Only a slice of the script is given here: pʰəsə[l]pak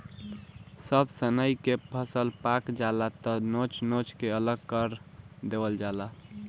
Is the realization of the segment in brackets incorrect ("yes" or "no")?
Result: no